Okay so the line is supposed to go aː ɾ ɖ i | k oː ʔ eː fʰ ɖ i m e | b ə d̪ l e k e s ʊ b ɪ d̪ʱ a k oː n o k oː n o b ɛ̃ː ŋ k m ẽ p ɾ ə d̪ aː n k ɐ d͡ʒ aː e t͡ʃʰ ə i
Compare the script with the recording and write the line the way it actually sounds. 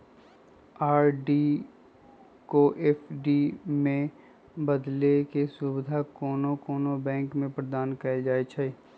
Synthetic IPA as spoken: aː ɾ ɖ i | k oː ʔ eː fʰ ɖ i m ẽ | b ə d̪ l e k e s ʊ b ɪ d̪ʱ a k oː n o k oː n o b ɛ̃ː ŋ k m ẽ p ɾ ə d̪ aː n k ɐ d͡ʒ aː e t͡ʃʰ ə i